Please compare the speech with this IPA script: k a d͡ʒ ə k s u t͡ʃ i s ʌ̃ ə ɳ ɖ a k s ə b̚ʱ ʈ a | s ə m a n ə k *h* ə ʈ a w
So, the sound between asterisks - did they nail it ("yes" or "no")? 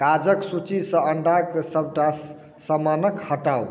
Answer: yes